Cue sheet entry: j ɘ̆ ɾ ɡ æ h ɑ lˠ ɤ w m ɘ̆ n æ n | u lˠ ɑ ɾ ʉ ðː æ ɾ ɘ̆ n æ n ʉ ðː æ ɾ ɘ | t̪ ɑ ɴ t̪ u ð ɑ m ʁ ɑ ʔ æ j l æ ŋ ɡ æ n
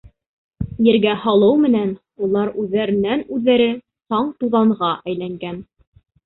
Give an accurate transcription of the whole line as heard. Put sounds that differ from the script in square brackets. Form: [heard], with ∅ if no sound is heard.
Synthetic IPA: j ɘ̆ ɾ ɡ æ h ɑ lˠ ɤ w m ɘ̆ n æ n | u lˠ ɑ ɾ ʉ ðː æ ɾ ɘ̆ n æ n ʉ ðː æ ɾ ɘ | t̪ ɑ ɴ t̪ u ð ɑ [ɴ] ʁ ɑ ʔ æ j l æ ŋ ɡ æ n